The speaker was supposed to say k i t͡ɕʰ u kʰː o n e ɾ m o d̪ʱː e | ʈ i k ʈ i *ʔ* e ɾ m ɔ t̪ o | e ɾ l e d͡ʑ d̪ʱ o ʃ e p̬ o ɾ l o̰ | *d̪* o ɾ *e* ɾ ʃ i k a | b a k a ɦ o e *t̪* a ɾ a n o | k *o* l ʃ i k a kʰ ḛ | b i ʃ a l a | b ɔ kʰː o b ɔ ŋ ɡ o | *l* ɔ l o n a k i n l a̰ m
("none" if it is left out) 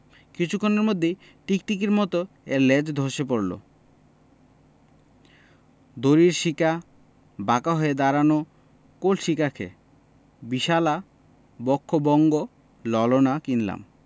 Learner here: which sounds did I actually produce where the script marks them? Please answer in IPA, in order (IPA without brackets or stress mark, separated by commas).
k, d̪, i, d̪, o, l